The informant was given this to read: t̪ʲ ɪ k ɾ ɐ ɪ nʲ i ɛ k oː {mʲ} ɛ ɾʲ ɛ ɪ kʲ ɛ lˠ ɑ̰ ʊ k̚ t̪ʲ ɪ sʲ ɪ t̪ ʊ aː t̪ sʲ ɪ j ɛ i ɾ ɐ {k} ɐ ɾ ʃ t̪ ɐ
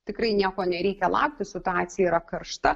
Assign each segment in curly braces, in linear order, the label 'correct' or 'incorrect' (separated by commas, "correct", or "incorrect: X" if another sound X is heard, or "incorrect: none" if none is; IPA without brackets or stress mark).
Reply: incorrect: nʲ, correct